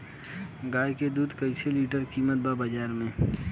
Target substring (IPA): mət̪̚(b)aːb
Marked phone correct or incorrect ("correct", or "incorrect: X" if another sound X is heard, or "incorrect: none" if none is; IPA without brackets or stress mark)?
correct